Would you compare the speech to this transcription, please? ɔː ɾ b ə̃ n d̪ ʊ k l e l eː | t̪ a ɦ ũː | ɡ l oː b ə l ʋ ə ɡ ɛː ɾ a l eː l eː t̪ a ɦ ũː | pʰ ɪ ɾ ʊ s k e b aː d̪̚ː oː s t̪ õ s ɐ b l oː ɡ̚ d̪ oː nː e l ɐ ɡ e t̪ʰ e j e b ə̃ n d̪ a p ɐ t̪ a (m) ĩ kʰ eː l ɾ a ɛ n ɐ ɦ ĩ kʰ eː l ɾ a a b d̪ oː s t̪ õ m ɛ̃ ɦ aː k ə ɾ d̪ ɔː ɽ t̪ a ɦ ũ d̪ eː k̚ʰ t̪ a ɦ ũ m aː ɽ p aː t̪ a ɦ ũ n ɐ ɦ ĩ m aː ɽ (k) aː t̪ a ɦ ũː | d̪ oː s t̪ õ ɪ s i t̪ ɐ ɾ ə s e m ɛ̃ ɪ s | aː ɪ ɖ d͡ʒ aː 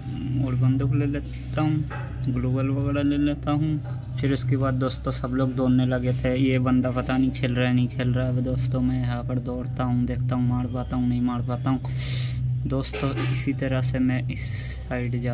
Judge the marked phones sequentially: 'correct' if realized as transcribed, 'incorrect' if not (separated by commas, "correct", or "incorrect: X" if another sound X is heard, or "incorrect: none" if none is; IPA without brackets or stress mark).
incorrect: n, incorrect: p